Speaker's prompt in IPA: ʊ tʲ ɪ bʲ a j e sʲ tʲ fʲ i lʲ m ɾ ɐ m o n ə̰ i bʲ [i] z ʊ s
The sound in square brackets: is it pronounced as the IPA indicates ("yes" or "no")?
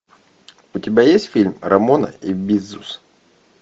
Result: yes